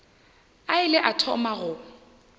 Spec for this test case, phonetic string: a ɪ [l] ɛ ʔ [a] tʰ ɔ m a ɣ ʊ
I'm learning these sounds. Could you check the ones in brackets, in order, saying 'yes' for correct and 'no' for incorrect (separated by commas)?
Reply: yes, yes